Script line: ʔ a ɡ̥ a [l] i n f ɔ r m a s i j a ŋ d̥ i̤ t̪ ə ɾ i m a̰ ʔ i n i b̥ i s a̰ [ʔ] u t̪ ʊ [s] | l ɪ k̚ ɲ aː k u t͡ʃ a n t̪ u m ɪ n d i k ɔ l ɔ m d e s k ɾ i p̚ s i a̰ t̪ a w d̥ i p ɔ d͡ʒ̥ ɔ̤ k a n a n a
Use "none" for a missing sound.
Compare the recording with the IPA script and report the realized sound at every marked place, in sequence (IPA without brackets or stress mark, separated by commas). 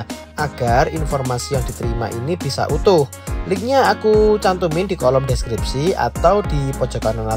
r, ʔ, h